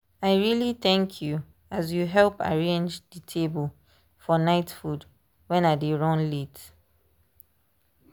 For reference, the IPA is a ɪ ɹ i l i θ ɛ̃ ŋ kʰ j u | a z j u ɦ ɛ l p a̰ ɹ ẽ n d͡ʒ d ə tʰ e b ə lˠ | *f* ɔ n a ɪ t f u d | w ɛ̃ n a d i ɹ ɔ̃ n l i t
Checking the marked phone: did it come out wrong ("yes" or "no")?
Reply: no